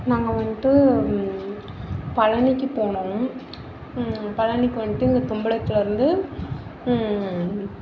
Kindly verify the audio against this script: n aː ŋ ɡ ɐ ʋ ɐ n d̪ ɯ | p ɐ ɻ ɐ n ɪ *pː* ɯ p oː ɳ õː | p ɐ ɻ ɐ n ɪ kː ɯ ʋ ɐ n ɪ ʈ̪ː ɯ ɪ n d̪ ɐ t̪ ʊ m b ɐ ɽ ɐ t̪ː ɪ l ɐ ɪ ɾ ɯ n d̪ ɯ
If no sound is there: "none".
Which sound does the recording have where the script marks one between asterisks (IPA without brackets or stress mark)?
kː